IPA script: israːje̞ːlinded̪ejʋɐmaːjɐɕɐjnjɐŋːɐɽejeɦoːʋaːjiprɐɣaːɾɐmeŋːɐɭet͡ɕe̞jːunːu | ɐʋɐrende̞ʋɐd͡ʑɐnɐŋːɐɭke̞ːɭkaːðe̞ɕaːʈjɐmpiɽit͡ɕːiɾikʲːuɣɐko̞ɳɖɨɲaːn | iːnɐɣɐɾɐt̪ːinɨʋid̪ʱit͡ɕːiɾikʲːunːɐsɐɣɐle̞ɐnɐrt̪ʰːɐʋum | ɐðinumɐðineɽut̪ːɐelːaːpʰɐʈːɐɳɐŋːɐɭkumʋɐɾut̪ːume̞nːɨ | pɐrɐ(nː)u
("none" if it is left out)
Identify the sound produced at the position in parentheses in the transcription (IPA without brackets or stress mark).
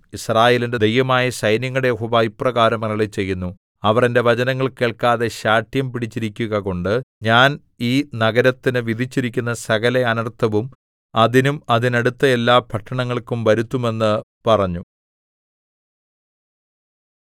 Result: ɲː